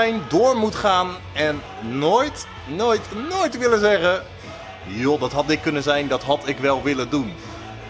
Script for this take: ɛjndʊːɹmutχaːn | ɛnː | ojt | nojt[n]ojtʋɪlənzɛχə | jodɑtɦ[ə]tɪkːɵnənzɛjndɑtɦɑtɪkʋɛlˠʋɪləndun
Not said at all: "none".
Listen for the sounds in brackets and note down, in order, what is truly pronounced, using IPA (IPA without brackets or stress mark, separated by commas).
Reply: n, ɑ